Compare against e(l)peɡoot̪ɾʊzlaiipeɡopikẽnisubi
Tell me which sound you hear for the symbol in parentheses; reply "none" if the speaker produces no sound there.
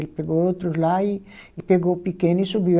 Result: l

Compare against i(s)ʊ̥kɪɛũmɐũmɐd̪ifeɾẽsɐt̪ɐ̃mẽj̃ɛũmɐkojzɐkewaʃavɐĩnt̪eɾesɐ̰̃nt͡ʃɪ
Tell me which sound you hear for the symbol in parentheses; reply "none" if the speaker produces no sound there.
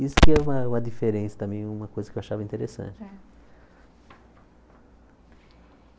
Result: s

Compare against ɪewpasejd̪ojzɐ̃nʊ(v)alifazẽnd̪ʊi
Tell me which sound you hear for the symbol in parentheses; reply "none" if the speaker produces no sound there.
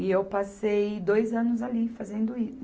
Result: z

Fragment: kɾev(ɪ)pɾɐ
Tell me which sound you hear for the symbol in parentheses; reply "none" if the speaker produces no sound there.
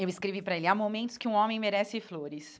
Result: i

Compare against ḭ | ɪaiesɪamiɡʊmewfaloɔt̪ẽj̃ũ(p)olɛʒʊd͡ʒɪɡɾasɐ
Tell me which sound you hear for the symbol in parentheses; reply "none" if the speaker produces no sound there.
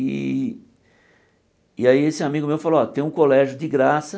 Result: k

